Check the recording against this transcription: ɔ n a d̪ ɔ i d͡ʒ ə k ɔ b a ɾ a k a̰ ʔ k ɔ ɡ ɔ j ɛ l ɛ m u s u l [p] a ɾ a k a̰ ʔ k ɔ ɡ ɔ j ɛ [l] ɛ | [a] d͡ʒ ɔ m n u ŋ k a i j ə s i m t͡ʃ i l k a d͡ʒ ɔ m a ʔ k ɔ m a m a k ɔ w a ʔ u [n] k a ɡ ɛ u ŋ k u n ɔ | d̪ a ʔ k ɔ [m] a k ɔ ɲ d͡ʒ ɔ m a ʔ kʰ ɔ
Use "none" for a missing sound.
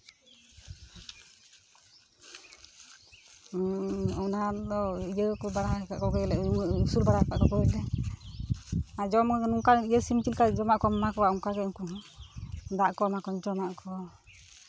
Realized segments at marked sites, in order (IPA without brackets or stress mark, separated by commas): b, l, a, ŋ, m